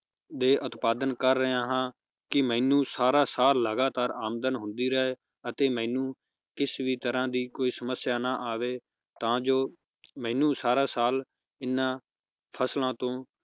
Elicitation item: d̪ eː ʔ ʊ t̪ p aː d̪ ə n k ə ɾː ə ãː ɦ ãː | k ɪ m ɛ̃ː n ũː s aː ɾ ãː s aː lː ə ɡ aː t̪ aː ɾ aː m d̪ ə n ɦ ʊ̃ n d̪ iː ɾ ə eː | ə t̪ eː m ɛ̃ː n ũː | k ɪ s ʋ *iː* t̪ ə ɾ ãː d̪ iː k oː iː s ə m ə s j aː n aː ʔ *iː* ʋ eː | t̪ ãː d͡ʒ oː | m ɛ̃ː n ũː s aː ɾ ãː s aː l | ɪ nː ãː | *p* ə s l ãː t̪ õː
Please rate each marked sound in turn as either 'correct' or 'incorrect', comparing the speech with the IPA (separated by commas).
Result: correct, incorrect, incorrect